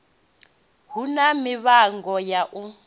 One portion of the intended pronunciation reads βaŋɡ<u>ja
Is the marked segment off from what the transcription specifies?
yes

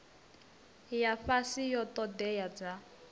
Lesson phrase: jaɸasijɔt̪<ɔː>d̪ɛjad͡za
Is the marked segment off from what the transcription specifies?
yes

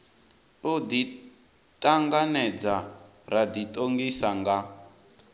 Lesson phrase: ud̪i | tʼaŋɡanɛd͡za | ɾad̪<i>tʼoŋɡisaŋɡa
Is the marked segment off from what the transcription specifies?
no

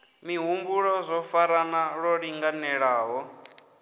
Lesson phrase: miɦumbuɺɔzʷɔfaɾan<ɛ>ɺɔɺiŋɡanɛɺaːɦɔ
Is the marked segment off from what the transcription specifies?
yes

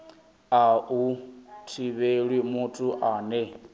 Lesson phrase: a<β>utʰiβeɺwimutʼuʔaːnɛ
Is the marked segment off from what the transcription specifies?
yes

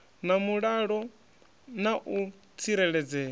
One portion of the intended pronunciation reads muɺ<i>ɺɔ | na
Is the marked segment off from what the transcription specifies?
yes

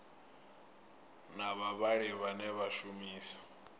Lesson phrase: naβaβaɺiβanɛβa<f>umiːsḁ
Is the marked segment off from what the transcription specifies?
yes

